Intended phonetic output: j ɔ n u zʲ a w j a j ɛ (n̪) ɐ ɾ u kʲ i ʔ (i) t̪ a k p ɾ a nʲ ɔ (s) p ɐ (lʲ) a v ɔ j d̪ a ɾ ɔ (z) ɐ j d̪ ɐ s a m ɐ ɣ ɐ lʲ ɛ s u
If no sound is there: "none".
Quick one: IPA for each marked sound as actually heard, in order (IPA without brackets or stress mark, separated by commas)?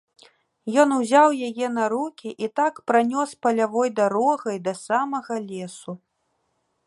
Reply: n̪, i, s, lʲ, ɣ